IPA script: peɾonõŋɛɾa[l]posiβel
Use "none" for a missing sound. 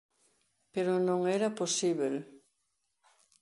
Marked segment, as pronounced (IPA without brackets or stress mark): none